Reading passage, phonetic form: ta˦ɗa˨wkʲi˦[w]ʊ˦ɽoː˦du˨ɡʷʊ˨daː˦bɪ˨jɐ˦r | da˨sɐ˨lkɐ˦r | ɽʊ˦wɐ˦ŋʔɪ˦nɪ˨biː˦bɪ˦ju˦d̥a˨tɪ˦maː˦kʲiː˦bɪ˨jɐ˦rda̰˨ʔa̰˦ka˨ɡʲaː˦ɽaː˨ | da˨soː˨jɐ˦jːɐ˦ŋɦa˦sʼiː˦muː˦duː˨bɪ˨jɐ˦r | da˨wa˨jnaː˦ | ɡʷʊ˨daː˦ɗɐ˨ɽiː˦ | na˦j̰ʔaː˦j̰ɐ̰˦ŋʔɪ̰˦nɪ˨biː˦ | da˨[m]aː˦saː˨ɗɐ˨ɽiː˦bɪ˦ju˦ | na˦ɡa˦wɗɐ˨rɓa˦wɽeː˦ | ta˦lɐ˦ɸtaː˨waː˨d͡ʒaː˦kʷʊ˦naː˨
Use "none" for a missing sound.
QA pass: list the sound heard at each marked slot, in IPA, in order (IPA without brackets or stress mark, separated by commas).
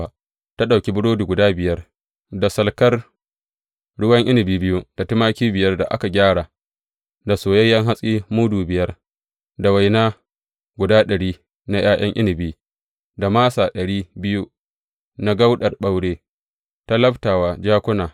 b, m